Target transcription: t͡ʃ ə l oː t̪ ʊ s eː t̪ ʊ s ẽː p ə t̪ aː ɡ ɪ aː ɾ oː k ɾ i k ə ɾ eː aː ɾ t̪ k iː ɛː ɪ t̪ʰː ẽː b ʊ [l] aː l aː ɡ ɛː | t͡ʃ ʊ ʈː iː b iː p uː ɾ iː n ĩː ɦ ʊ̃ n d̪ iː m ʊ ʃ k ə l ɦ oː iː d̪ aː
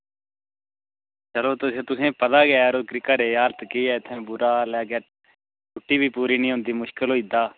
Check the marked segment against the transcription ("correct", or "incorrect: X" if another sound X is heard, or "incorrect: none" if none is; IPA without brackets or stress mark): incorrect: ɾ